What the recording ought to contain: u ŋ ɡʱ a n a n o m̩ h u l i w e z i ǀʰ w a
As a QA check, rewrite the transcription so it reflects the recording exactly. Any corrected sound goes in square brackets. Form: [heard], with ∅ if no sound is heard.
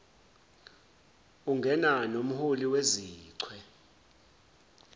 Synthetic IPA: u ŋ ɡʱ [ɛ] n a n o m̩ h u l i w e z [iː] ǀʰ w [ɛ]